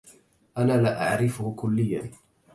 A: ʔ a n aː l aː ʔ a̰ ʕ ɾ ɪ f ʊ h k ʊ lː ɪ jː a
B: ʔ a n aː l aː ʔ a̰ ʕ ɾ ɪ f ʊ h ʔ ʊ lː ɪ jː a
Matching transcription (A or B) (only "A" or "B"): A